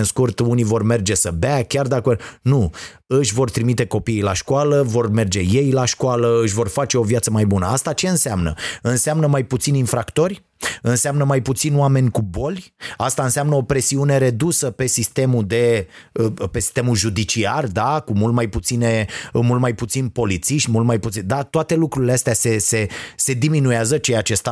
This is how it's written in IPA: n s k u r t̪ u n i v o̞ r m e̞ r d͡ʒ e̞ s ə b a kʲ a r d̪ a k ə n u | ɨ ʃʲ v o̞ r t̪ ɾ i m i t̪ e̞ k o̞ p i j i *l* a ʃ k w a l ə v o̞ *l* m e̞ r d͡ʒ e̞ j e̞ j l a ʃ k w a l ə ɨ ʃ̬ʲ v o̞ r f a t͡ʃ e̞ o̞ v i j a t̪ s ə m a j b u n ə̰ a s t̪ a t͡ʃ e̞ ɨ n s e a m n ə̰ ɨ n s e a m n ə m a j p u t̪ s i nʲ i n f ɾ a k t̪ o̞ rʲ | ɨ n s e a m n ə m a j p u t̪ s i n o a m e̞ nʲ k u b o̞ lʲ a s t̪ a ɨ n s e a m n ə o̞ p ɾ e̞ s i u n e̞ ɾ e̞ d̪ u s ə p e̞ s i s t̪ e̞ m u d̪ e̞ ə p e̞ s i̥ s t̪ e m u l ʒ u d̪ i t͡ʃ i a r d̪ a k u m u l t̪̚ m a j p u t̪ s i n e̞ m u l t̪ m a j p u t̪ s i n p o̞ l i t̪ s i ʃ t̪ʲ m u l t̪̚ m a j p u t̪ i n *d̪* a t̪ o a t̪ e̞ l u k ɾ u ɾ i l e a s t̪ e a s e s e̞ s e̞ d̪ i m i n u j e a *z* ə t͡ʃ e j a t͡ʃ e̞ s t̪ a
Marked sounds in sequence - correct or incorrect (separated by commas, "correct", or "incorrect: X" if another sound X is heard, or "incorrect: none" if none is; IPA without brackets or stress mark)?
correct, incorrect: r, correct, correct